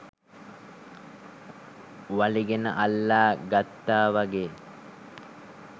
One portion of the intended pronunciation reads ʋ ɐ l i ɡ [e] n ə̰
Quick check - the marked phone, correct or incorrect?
correct